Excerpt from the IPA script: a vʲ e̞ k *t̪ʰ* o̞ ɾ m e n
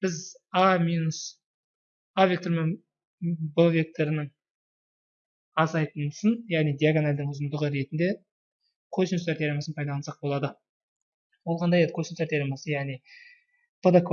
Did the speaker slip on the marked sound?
yes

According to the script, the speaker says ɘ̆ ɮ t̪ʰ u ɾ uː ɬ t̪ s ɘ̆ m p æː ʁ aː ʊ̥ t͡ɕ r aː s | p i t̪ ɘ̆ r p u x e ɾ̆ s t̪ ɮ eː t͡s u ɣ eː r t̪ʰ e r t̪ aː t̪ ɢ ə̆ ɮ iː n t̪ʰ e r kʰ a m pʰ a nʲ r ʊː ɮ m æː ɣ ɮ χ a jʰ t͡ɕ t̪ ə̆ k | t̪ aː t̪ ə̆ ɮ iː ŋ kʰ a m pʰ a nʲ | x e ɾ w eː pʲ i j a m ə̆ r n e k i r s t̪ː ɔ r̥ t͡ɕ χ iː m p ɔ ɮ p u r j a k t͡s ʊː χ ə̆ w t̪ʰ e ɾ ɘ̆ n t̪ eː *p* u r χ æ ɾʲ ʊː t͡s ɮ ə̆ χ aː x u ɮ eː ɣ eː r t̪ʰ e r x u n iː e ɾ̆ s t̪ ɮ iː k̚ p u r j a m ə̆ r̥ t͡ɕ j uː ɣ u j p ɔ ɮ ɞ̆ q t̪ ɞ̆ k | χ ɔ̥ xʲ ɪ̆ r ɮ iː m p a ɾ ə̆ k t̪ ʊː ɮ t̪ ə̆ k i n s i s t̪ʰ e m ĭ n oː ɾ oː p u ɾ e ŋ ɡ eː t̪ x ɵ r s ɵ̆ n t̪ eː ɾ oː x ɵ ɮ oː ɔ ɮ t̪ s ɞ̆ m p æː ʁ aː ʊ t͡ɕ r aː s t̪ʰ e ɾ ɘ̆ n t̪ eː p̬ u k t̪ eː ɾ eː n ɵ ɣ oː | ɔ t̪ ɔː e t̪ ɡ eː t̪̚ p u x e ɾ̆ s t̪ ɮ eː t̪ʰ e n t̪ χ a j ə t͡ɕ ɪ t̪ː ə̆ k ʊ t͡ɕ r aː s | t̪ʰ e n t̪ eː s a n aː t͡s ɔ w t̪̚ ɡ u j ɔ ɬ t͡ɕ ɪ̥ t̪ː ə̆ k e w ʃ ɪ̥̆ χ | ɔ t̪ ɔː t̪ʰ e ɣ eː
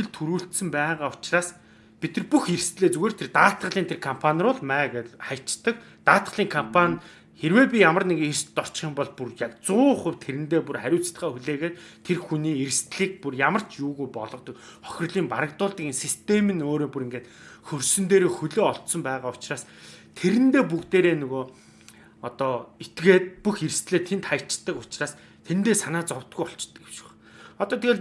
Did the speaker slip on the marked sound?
no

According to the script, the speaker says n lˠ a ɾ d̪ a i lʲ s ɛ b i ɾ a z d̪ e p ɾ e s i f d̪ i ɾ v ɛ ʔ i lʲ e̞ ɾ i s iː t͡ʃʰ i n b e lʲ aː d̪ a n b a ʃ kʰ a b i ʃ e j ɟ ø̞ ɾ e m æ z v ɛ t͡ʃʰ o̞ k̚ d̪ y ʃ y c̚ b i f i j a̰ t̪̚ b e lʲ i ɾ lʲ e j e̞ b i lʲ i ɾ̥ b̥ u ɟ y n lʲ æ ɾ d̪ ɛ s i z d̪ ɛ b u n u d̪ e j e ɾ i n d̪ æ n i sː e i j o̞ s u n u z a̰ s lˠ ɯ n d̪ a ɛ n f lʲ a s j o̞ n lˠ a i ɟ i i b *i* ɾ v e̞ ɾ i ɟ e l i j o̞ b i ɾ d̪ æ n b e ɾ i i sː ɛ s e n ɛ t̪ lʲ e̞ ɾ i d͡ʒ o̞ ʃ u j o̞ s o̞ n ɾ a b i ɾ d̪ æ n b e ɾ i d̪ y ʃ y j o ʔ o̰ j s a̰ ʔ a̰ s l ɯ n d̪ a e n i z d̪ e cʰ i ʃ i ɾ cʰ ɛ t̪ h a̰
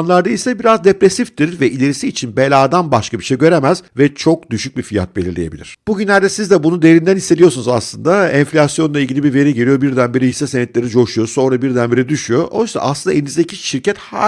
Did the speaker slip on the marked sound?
no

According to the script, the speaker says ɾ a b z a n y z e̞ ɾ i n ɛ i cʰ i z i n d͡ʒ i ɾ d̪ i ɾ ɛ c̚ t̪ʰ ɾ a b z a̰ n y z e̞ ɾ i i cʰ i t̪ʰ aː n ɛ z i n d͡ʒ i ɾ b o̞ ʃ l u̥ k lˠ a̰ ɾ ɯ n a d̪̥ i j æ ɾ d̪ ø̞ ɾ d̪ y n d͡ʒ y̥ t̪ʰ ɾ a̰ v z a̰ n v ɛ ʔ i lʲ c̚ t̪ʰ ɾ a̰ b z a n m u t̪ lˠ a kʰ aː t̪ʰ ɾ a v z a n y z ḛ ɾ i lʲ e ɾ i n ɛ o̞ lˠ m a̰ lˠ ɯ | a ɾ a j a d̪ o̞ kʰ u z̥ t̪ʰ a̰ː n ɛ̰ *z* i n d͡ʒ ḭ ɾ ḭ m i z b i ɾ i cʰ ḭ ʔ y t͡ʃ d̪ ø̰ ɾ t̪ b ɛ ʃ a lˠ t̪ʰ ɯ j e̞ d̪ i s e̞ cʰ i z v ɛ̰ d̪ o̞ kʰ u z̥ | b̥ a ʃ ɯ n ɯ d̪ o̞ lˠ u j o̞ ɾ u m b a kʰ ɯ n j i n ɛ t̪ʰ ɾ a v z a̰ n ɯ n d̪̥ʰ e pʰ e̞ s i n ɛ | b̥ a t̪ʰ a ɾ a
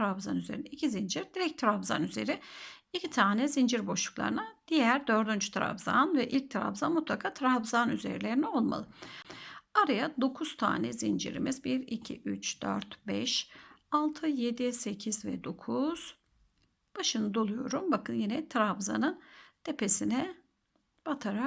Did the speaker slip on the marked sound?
no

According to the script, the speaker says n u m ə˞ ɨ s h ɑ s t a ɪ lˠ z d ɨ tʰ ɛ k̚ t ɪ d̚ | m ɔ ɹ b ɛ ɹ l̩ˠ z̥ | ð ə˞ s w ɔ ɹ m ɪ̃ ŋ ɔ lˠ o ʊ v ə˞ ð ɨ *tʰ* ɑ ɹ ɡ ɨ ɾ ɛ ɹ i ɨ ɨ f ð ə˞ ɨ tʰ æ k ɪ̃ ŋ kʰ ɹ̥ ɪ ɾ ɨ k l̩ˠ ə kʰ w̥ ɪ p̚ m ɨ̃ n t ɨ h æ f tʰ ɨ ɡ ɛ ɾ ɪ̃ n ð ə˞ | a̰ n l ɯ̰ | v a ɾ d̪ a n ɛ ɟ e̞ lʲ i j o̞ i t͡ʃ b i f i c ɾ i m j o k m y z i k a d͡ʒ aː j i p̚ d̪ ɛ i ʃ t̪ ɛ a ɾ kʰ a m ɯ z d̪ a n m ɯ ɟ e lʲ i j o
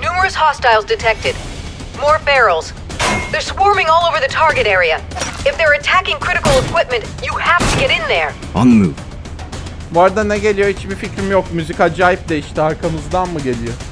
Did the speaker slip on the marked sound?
no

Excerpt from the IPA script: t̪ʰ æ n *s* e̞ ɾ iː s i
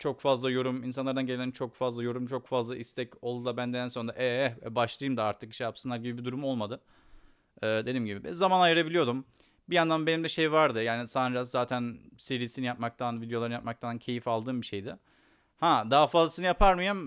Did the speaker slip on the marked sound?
no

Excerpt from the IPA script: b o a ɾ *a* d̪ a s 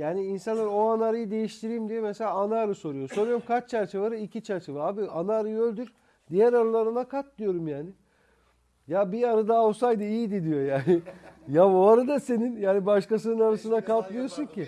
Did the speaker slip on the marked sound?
no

